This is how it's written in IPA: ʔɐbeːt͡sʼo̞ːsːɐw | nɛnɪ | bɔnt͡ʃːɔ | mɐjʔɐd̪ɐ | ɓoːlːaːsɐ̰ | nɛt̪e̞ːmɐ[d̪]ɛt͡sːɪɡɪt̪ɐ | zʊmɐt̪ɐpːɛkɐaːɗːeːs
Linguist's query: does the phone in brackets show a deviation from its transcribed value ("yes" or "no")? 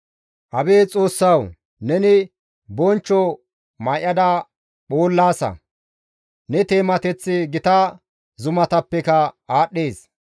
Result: yes